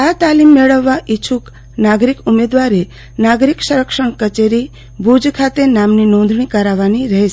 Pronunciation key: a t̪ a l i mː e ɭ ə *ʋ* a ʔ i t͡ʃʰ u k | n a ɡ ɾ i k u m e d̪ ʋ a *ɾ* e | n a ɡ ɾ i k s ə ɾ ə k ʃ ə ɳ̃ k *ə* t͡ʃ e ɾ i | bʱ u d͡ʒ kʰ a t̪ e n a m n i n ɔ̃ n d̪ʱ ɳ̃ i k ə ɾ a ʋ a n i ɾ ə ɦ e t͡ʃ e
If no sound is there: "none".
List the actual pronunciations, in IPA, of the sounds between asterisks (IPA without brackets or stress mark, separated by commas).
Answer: ʋː, ɾ, ə